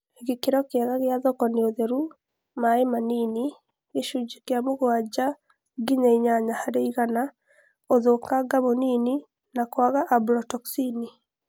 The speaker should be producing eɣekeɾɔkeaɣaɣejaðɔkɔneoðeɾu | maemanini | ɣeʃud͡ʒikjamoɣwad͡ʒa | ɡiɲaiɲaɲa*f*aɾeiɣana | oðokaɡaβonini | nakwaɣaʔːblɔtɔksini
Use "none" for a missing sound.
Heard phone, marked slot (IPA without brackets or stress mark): h